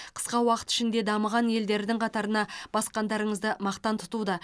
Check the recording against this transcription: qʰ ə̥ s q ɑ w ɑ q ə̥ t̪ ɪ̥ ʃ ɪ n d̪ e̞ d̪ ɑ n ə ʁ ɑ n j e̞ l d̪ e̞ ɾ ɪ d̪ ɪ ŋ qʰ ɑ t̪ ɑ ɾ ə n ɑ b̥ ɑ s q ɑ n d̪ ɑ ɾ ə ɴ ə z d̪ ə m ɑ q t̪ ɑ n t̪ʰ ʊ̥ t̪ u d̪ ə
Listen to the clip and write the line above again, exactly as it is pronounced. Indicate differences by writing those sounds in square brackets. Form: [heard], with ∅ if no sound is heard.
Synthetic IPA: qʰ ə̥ s q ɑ w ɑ q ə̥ t̪ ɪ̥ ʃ ɪ n d̪ e̞ d̪ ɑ [m] ə ʁ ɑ n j e̞ l d̪ e̞ ɾ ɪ d̪ ɪ ŋ qʰ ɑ t̪ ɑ ɾ ə n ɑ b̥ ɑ s q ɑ n d̪ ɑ ɾ ə ɴ ə z d̪ ə m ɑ q t̪ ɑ n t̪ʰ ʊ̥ t̪ u d̪ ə